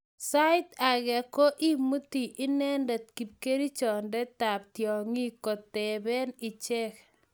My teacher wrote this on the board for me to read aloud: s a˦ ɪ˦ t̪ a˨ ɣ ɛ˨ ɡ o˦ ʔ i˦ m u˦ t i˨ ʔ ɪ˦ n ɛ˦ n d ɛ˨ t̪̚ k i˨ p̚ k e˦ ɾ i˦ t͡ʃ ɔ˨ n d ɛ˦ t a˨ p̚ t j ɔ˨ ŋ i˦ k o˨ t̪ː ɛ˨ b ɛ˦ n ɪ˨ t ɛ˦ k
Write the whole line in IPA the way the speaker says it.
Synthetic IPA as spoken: s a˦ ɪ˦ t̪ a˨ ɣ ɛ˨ k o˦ ʔ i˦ m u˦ t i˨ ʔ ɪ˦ n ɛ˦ n d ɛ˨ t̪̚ k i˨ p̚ k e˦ ɾ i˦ t͡ʃ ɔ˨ n d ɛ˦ t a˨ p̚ t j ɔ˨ ŋ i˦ k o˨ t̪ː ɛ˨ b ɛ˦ n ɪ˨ t͡ʃ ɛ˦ k